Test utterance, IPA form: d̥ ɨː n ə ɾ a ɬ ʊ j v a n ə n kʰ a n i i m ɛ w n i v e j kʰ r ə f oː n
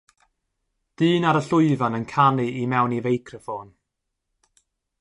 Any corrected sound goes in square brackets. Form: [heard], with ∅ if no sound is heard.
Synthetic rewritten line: d̥ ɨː n [a] ɾ [ə] ɬ ʊ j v a n ə n kʰ a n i i m ɛ w n i v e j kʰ r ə f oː n